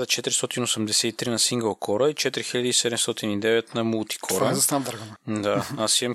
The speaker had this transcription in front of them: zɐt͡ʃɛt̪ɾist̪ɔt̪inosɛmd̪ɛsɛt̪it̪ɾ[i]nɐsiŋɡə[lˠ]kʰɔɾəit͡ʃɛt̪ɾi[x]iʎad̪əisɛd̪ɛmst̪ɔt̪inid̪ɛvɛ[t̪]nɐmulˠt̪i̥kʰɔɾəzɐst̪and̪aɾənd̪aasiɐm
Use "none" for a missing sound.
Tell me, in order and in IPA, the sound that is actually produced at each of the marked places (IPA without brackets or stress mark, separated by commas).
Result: i, lˠ, x, t̪